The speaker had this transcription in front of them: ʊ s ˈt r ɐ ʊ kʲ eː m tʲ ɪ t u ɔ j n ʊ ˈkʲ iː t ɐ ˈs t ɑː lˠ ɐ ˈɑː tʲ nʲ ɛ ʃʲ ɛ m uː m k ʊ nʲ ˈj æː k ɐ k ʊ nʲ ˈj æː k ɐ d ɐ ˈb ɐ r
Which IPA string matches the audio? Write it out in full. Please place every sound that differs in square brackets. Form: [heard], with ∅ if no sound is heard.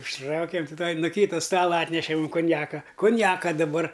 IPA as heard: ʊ [ʃ] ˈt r ɐ ʊ kʲ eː m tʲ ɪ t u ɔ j n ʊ ˈkʲ iː t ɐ ˈs t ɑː lˠ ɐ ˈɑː tʲ nʲ ɛ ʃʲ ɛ m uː m k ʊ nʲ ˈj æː k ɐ k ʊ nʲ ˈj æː k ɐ d ɐ ˈb ɐ r